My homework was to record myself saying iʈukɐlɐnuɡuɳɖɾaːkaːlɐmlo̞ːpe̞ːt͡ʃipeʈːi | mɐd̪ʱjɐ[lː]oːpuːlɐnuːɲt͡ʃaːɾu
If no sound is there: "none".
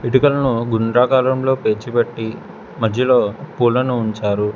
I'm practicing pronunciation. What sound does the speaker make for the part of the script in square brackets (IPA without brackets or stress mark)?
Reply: l